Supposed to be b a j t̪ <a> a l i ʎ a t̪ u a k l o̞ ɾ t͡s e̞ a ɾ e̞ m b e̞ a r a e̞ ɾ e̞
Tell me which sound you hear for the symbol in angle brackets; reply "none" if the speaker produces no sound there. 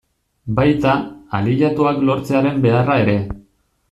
a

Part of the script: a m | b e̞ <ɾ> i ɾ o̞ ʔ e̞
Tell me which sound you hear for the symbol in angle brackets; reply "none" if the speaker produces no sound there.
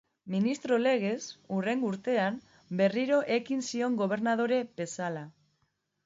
r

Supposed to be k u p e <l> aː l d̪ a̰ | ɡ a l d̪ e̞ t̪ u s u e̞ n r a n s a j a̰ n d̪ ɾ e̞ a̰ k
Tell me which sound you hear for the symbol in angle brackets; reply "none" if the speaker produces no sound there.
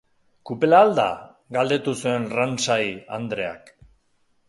l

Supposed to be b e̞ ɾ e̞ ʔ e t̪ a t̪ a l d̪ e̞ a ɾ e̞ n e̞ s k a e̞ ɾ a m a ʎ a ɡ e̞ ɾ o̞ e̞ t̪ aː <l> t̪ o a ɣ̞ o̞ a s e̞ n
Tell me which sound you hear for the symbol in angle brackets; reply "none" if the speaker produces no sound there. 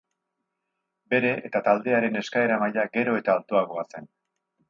l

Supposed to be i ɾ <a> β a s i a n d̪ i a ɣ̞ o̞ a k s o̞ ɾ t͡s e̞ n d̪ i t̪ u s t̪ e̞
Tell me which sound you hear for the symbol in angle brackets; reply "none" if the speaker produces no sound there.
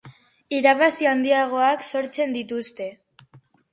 a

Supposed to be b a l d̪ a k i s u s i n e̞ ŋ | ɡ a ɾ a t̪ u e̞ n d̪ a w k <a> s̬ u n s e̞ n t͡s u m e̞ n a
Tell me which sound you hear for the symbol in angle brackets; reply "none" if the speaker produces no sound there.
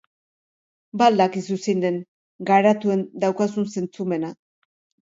a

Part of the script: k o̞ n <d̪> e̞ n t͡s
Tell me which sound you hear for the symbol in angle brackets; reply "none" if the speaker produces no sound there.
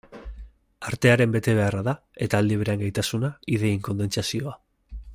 d̪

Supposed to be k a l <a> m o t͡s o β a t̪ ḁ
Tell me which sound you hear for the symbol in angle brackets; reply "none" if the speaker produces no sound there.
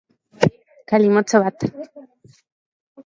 i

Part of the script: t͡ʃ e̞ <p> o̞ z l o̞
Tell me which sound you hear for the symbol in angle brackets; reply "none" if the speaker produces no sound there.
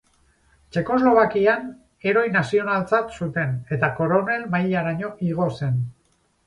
k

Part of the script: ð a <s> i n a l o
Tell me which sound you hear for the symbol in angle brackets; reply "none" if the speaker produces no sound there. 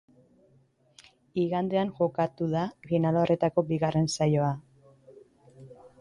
f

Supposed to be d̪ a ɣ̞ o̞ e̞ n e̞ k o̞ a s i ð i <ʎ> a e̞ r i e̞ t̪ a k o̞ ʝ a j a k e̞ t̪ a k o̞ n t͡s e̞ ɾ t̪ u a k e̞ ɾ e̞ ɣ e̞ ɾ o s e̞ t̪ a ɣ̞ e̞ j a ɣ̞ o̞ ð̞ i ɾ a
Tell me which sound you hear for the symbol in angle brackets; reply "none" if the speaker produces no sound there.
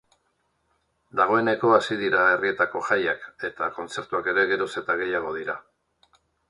ɾ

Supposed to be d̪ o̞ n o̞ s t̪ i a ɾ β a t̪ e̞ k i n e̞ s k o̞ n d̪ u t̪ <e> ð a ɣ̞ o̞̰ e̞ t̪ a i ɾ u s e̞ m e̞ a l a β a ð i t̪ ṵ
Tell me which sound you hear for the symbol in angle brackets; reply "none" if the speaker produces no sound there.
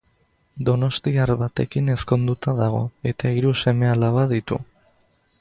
a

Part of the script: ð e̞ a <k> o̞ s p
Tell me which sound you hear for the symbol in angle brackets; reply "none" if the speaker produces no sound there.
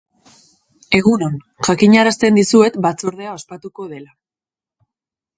none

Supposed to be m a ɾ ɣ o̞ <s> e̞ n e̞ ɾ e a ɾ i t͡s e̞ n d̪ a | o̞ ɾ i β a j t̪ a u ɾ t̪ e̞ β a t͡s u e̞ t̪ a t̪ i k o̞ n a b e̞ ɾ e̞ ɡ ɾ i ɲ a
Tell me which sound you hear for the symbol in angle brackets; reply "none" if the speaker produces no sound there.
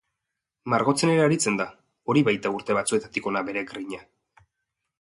t͡s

